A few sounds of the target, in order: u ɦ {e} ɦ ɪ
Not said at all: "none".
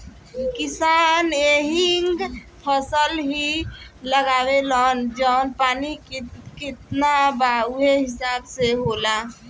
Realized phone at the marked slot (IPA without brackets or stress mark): e